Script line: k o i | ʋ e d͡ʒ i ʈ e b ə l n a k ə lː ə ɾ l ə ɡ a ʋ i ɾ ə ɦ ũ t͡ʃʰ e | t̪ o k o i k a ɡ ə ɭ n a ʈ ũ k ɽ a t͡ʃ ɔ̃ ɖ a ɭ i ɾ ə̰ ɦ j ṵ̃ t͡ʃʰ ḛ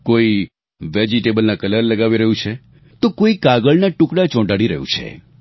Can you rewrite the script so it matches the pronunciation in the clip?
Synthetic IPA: k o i | ʋ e d͡ʒ i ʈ e b ə l n a k ə l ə ɾ l ə ɡ a ʋ i ɾ ə ɦ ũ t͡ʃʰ e | t̪ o k o i k a ɡ ə ɭ n a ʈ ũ k ɽ a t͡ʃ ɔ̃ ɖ a ɽ i ɾ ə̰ ɦ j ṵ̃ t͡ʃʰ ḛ